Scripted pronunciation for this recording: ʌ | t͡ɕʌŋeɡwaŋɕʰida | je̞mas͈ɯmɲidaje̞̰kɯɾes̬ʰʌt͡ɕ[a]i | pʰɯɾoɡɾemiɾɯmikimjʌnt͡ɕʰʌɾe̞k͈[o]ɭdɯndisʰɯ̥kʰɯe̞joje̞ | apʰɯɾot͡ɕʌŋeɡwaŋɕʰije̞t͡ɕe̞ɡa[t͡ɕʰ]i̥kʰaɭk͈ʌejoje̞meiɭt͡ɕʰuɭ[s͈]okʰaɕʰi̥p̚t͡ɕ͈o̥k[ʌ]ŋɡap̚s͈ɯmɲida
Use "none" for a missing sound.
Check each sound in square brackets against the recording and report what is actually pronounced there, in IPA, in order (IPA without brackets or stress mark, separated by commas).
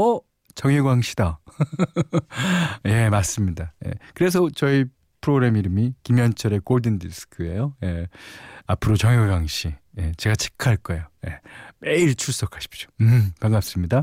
ʌ, o, t͡ɕʰ, s͈, a